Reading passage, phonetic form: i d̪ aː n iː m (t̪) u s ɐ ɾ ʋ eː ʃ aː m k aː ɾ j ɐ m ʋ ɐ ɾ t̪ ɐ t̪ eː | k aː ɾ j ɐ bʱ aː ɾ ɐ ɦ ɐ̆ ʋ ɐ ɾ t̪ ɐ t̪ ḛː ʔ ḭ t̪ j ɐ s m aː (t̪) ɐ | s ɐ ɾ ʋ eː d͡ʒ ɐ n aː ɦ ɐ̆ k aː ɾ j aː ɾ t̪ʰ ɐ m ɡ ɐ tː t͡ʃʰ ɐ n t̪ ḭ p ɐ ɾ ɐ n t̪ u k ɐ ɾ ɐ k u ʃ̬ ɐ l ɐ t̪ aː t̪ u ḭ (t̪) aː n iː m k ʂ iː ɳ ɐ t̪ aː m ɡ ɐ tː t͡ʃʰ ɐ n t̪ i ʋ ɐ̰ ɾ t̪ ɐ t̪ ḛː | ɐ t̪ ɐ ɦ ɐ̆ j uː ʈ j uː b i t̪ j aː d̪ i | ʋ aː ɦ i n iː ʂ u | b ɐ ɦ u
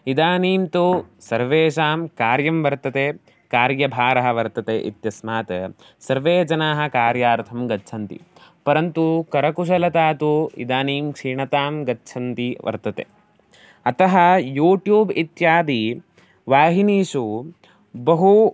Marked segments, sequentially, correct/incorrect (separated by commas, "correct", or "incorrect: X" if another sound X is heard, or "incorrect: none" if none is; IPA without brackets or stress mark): correct, correct, incorrect: d̪